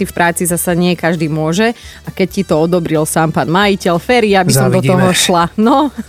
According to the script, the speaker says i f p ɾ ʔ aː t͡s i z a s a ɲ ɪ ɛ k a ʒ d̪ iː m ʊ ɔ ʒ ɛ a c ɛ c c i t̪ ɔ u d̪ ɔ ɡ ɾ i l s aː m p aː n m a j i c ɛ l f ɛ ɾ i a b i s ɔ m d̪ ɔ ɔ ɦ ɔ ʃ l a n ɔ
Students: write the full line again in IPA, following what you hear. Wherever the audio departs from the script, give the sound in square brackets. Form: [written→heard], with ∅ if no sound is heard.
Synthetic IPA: i f p ɾ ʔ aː t͡s i z a s a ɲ ɪ ɛ k a ʒ d̪ iː m ʊ ɔ ʒ ɛ a [c→k] ɛ c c i t̪ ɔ [u→ɔ] d̪ ɔ [ɡ→b] ɾ i l s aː m p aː n m a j i c ɛ l f ɛ ɾ i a b i s ɔ m d̪ ɔ ɔ ɦ ɔ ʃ l a n ɔ